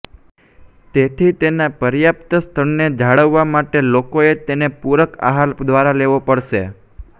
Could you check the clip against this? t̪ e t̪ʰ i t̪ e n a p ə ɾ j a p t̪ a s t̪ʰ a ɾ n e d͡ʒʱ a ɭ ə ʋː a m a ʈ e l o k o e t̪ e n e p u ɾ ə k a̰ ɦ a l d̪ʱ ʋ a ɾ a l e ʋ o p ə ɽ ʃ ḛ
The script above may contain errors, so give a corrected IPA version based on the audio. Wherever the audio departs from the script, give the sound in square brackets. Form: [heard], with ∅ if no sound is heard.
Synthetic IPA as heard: t̪ e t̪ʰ i t̪ e n a p ə ɾ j a p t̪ [ə] s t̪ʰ [ə] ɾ n e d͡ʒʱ a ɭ ə ʋː a m a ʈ e l o k o e t̪ e n e p u ɾ ə k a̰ ɦ a l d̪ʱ ʋ a ɾ a l e ʋ o p ə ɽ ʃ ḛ